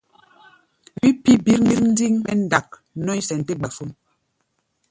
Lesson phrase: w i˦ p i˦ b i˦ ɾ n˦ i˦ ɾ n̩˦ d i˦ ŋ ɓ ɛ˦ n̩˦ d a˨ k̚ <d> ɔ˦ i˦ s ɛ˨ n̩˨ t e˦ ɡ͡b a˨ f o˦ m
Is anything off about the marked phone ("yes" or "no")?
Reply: yes